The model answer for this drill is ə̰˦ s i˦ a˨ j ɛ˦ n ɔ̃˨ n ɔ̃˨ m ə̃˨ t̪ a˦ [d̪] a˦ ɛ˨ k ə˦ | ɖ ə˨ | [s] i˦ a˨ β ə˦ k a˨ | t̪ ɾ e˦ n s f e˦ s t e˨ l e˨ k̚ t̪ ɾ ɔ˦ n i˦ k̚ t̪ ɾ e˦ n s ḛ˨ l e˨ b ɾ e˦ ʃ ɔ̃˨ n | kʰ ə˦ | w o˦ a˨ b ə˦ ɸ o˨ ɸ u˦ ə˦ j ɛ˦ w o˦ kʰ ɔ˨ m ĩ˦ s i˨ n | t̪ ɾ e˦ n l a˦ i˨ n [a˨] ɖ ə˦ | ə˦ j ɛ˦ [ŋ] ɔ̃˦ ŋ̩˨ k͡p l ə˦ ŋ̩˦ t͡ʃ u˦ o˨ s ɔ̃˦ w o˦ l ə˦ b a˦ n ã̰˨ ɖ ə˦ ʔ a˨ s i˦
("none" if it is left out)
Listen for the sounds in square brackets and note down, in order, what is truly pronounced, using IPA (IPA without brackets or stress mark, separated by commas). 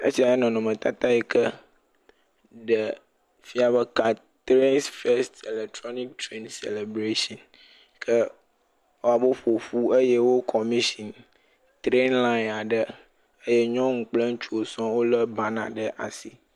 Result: t̪, f, a˨, ɲ